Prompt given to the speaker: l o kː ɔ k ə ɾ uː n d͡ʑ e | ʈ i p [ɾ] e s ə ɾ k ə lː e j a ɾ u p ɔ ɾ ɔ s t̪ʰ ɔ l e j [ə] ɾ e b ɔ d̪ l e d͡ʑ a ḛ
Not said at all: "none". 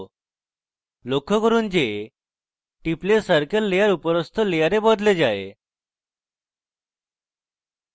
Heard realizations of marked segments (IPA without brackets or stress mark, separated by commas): l, a